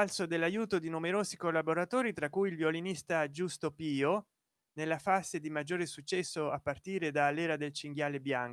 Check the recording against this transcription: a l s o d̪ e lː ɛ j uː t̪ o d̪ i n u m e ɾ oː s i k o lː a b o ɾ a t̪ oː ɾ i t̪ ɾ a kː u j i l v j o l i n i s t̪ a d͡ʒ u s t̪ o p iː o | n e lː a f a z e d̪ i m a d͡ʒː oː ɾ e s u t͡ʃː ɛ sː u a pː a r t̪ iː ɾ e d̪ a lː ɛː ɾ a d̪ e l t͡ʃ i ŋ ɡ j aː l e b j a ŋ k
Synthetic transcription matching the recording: a l s o d̪ e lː a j uː t̪ o d̪ i n u m e ɾ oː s i k o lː a b o ɾ a t̪ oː ɾ i t̪ ɾ a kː u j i l v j o l i n i s t̪ a d͡ʒ u s t̪ o p iː o | n e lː a f a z e d̪ i m a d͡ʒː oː ɾ e s u t͡ʃː ɛ sː o a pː a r t̪ iː ɾ e d̪ a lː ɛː ɾ a d̪ e l t͡ʃ i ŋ ɡ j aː l e b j a ŋ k